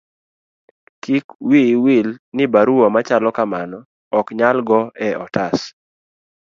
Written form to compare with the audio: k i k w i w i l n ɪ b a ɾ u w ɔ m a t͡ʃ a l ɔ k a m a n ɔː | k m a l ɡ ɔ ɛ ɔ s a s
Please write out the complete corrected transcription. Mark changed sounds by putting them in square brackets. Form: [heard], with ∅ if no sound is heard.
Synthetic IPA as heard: k i k w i w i l n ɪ b a ɾ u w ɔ m a t͡ʃ a l ɔ k a m a n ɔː | k [ɲ] a l ɡ ɔ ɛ ɔ [t] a s